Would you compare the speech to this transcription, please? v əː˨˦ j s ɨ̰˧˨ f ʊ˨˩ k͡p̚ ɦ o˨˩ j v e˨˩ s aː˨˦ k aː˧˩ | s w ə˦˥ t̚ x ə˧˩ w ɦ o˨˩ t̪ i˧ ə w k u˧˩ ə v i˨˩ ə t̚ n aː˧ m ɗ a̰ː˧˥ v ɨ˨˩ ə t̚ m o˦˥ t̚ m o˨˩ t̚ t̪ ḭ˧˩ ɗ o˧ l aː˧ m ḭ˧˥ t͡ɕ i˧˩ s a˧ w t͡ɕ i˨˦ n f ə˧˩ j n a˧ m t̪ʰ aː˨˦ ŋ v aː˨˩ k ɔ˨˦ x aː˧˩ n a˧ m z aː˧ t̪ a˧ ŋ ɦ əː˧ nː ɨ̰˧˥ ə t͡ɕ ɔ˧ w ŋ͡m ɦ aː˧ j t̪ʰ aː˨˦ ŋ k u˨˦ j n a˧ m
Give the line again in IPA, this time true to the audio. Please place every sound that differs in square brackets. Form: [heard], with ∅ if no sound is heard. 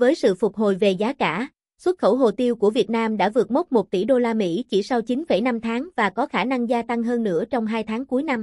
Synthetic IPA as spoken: v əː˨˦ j s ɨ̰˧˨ f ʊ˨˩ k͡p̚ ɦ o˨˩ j v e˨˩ [z] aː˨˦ k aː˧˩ | s w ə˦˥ t̚ x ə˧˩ w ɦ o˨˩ t̪ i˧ ə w k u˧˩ ə v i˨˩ ə t̚ n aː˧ m ɗ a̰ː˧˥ v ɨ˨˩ ə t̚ m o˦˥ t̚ m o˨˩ t̚ t̪ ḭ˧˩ ɗ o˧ l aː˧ m ḭ˧˥ t͡ɕ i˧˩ s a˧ w t͡ɕ i˨˦ n f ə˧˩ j n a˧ m t̪ʰ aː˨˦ ŋ v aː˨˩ k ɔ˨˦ x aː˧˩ n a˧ [ŋ] z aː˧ t̪ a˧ ŋ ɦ əː˧ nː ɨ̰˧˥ ə t͡ɕ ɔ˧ w ŋ͡m ɦ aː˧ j t̪ʰ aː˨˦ ŋ k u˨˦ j n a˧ m